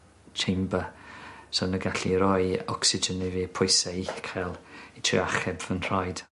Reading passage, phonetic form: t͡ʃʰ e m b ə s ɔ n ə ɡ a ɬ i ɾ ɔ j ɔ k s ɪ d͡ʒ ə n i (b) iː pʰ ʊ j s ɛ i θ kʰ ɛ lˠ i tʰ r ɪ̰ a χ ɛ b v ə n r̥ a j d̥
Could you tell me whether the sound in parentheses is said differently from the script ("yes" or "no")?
yes